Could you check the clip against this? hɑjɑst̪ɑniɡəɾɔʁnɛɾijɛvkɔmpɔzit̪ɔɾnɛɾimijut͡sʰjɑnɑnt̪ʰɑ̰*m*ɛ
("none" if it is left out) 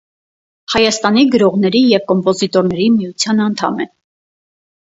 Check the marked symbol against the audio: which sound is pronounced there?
m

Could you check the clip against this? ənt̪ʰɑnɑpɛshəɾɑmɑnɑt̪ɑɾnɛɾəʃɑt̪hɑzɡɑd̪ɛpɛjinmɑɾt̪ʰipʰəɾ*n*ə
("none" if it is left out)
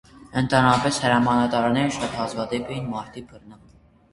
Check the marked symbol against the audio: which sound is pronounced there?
n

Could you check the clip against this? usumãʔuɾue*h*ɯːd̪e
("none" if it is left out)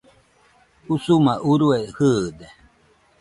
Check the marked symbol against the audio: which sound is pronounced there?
h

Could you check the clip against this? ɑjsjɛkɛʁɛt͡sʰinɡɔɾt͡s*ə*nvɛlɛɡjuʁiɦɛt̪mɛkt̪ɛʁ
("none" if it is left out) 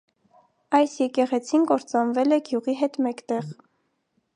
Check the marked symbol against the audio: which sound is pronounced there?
ɑ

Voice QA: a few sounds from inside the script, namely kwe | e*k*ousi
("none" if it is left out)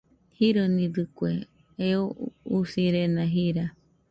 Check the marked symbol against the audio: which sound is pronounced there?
none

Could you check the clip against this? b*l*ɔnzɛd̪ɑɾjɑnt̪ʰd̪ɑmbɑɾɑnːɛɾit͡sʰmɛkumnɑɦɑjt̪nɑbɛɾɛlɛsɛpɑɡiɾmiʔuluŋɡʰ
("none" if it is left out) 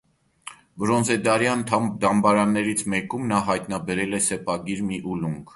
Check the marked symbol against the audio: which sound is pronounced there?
ɾ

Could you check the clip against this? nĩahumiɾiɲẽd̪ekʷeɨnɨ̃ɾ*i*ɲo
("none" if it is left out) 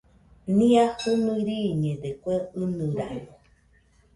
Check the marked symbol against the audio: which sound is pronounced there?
a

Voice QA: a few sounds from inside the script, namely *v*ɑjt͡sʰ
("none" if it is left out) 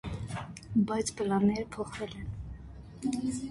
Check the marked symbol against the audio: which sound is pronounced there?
b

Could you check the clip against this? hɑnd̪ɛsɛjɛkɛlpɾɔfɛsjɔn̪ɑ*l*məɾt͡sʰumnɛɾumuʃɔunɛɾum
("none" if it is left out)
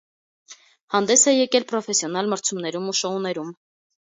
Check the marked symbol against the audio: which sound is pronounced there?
l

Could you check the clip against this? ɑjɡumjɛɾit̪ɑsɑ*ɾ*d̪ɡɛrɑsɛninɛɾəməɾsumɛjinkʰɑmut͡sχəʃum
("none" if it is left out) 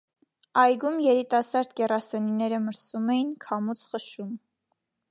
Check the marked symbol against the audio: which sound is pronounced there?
ɾ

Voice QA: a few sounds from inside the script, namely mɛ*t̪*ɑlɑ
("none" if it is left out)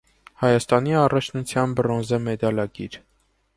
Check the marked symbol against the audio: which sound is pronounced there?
d̪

